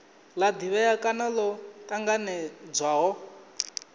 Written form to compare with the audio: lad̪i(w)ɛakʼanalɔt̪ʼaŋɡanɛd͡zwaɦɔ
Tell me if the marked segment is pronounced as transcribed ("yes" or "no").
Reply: no